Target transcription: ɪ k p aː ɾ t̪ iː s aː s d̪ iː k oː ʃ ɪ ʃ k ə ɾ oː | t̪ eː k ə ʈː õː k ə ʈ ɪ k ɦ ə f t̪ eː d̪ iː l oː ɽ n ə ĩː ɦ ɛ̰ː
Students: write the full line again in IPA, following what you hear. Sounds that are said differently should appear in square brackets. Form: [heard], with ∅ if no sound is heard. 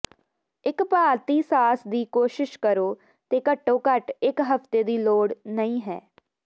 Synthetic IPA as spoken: ɪ k p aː ɾ t̪ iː s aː s d̪ iː k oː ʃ ɪ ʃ k ə ɾ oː | t̪ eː k ə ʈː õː k ə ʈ ɪ k ɦ ə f t̪ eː d̪ iː l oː ɽ n ə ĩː ɦ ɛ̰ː